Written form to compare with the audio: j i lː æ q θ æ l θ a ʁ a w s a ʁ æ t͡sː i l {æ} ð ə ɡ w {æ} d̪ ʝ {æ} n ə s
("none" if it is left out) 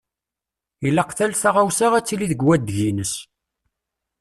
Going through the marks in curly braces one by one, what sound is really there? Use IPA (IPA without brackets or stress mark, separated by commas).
i, æ, i